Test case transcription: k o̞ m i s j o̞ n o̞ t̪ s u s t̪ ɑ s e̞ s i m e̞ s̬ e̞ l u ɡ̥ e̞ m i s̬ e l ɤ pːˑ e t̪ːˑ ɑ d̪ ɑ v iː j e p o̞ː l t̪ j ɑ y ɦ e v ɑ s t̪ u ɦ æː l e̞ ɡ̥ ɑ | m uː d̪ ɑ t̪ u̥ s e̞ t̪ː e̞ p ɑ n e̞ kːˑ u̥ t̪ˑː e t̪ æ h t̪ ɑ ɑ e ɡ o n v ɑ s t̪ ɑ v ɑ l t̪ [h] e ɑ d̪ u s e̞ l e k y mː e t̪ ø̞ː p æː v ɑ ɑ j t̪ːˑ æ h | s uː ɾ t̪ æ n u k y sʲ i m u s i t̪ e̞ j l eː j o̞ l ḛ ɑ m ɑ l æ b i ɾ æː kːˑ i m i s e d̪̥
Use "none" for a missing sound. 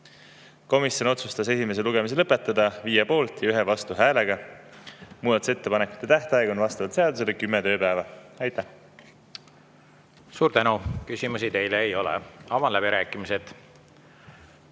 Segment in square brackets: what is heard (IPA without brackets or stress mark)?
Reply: s